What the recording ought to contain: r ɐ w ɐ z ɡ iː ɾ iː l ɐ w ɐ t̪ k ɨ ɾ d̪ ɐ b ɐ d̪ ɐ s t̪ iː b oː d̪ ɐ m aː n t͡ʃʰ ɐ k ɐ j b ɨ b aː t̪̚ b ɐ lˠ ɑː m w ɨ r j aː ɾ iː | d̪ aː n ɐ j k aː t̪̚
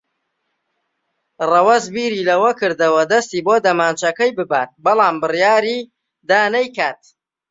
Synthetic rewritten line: r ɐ w ɐ z b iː ɾ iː l ɐ w ɐ k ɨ ɾ d̪ ɐ w ɐ d̪ ɐ s t̪ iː b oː d̪ ɐ m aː n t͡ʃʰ ɐ k ɐ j b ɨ b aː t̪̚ b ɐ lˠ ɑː m b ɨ r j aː ɾ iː | d̪ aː n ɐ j k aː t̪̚

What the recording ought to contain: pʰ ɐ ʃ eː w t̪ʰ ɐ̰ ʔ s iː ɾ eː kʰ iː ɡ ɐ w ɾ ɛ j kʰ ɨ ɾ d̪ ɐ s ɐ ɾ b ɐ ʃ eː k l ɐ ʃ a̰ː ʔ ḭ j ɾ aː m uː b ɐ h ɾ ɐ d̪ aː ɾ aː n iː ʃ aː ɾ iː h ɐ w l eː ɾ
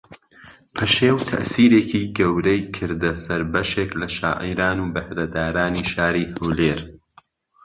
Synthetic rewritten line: pʰ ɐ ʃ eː w t̪ʰ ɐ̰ ʔ s iː ɾ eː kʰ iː ɡ ɐ w ɾ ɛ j kʰ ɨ ɾ d̪ ɐ s ɐ ɾ b ɐ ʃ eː k l ɐ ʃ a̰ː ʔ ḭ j ɾ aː n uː b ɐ h ɾ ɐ d̪ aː ɾ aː n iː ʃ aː ɾ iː h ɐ w l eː ɾ

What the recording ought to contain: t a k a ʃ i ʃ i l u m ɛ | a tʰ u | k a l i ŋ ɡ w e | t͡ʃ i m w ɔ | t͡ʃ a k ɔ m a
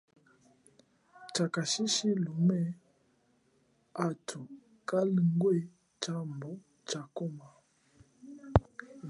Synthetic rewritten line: t͡ʃ a k a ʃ i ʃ i l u m ɛ | a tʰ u | k a l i ŋ ɡ w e | t͡ʃ a m b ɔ | t͡ʃ a k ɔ m a

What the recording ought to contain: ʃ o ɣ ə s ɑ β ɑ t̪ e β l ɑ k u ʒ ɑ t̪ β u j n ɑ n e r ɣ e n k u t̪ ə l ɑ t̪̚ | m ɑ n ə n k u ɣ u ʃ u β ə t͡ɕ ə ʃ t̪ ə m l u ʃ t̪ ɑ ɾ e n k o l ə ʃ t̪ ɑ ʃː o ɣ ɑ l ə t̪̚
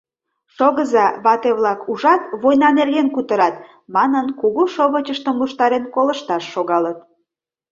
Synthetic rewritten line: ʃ o ɣ ə z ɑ β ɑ t̪ e β l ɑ k u ʒ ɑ t̪ β o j n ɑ n e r ɣ e n k u t̪ ə ɾ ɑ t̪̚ | m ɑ n ə n k u ɣ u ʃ o β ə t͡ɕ ə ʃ t̪ ə m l u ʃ t̪ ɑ ɾ e n k o l ə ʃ t̪ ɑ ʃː o ɣ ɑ l ə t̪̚

